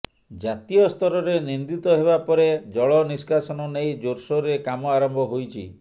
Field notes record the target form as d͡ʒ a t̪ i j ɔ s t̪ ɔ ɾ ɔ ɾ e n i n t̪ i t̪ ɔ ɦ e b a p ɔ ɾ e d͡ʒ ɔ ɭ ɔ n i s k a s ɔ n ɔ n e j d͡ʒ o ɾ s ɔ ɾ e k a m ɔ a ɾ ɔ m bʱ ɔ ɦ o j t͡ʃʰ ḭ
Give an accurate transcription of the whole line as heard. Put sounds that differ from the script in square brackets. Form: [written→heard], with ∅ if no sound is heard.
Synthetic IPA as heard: d͡ʒ a t̪ i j ɔ s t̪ ɔ ɾ ɔ ɾ e n i n [t̪→d̪] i t̪ ɔ ɦ e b a p ɔ ɾ e d͡ʒ ɔ ɭ ɔ n i s k a s ɔ n ɔ n e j d͡ʒ o ɾ s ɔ ɾ e k a m ɔ a ɾ ɔ m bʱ ɔ ɦ o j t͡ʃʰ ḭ

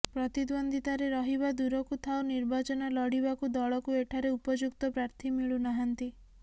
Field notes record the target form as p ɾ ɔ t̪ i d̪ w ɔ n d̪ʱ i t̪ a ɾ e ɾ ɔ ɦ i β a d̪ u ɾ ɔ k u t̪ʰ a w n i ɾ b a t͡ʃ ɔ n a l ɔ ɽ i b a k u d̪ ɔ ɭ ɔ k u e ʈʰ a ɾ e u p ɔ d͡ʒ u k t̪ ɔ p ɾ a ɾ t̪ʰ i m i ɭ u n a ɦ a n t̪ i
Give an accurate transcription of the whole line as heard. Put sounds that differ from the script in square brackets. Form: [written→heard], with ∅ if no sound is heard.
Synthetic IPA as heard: p ɾ ɔ t̪ i d̪ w ɔ n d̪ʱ i t̪ a ɾ e ɾ ɔ ɦ i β a d̪ u ɾ ɔ k u t̪ʰ a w n i ɾ b a t͡ʃ ɔ n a l ɔ ɽ i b a k u d̪ ɔ ɭ ɔ k u e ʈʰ a ɾ e u p ɔ d͡ʒ u k t̪ ɔ p ɾ a ɾ t̪ʰ i m i ɭ u n a ɦ a n t̪ i

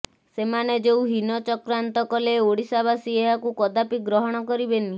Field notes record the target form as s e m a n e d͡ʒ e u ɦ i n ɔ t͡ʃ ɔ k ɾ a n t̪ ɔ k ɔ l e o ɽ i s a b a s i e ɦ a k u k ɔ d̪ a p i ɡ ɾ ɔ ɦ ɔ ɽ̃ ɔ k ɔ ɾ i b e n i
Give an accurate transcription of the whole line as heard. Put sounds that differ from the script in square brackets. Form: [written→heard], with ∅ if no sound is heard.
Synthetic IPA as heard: s e m a n e d͡ʒ e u ɦ i n ɔ t͡ʃ ɔ k ɾ a n t̪ ɔ k ɔ l e o ɽ i s a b a s i e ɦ a k u k ɔ d̪ a p i ɡ ɾ ɔ ɦ ɔ ɽ̃ ɔ k ɔ ɾ i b e n i

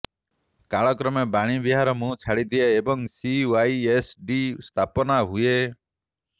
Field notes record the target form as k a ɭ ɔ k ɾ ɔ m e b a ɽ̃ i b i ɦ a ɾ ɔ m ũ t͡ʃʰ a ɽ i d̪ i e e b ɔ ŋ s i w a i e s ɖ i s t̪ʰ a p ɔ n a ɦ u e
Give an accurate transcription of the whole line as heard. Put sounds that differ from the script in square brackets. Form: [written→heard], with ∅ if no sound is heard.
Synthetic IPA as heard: k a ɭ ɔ k ɾ ɔ m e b a ɽ̃ i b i ɦ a ɾ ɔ m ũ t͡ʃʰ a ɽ i d̪ i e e b ɔ ŋ s i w a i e s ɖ i s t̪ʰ a p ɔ n a ɦ u e

